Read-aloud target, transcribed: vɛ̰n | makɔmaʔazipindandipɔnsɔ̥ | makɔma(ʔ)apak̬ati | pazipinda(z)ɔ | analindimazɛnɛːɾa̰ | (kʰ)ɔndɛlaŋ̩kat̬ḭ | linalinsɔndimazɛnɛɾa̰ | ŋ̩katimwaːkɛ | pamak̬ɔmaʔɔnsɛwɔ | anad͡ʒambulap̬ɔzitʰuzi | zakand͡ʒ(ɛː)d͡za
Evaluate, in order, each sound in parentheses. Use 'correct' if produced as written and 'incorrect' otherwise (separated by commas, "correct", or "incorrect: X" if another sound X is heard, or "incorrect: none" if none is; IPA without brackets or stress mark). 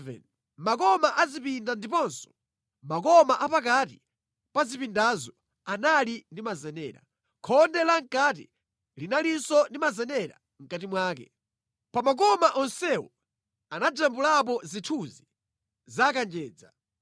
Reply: correct, correct, correct, correct